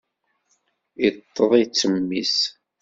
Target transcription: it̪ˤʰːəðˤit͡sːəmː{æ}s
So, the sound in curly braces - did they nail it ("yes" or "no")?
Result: no